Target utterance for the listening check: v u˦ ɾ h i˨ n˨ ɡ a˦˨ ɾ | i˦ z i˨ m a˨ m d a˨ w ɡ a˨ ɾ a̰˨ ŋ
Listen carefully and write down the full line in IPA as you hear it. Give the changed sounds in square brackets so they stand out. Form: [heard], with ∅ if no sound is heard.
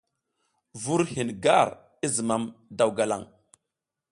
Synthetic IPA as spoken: v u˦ ɾ h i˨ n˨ ɡ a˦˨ ɾ | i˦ z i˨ m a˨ m d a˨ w ɡ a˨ [l] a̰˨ ŋ